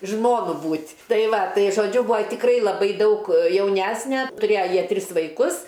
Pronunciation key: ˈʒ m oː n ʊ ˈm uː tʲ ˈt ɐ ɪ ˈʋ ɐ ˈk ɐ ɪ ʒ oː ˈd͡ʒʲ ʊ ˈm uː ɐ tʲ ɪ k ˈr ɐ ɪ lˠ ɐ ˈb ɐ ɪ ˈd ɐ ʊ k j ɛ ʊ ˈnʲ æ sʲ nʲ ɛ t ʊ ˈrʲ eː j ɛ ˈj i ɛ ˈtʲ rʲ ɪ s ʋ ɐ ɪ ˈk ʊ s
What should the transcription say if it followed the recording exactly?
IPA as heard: ˈʒ m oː n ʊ ˈb uː tʲ ˈt ɐ ɪ ˈʋ ɐ ˈt ɐ ɪ ʒ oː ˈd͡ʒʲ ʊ ˈb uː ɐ tʲ ɪ k ˈr ɐ ɪ lˠ ɐ ˈb ɐ ɪ ˈd ɐ ʊ k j ɛ ʊ ˈnʲ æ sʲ nʲ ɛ t ʊ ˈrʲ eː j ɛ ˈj i ɛ ˈtʲ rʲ ɪ s ʋ ɐ ɪ ˈk ʊ s